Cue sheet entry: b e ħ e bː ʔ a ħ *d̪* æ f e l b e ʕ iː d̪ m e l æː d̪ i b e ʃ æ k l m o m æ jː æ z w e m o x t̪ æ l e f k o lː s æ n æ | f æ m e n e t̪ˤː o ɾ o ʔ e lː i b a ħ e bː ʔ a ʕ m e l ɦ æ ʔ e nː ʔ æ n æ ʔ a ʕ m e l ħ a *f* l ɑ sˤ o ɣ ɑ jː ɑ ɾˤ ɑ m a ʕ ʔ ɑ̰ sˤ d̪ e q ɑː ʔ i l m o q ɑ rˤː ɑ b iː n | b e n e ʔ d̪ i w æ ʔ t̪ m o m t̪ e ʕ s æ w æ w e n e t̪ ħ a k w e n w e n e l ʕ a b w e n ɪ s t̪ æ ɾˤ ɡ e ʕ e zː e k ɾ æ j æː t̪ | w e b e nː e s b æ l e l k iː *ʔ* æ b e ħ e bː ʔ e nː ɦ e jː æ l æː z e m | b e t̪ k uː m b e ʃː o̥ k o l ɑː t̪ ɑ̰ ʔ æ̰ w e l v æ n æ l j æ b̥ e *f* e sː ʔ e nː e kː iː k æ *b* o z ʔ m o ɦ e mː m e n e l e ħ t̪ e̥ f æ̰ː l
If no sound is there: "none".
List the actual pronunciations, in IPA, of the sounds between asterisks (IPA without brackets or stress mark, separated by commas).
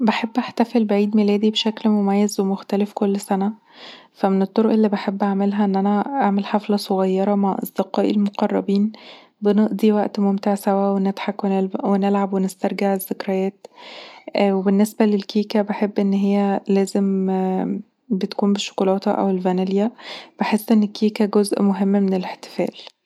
t̪, f, k, ħ, ɡ